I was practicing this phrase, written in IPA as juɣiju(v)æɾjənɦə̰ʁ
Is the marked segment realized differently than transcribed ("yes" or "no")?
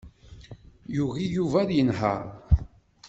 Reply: no